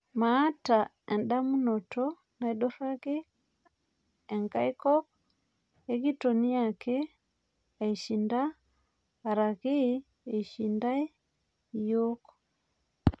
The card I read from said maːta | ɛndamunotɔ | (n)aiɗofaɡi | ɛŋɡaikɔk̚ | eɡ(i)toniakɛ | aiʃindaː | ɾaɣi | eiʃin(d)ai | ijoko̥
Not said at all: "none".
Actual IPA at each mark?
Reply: n, i, d

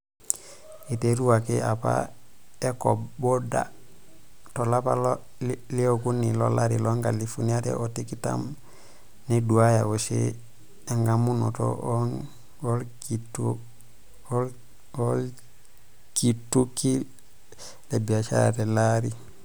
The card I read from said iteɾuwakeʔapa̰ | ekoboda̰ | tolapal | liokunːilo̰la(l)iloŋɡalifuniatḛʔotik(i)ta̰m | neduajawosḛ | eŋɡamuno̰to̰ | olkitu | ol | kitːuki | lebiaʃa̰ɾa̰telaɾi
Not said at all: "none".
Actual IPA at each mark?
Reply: ɾ, i

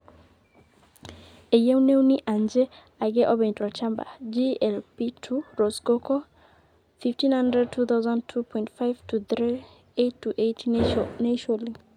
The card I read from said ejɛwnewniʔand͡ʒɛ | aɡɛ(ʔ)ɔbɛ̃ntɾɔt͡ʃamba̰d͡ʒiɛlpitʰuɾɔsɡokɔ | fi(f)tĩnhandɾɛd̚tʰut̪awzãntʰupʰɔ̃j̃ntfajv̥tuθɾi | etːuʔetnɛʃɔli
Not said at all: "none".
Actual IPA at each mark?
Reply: ʔ, f

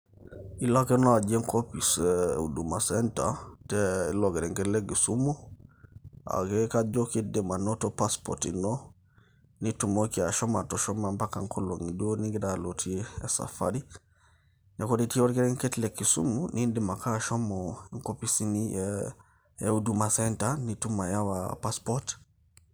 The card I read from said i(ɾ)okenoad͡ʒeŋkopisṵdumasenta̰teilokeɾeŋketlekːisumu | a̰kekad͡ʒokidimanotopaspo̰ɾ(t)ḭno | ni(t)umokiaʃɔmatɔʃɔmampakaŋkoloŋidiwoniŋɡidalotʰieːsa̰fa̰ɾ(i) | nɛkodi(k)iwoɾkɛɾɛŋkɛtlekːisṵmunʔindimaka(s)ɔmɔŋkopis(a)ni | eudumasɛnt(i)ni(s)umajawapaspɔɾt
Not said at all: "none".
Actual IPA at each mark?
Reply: l, t, t, i, t, ʃ, i, a, t

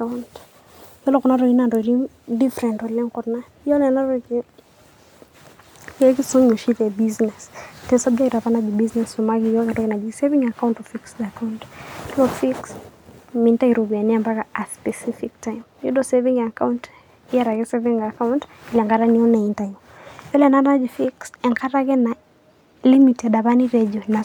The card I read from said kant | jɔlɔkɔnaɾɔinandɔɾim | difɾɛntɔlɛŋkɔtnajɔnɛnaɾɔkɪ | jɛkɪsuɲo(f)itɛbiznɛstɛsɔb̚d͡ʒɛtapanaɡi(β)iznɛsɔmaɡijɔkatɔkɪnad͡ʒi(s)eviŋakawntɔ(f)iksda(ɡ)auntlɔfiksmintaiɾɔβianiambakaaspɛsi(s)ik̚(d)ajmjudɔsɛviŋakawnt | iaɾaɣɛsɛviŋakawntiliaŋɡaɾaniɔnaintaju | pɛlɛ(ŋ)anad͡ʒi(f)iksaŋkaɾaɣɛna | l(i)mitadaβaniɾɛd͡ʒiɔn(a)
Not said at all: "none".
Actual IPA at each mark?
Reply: ʃ, b, s, f, k, f, t, n, f, i, a

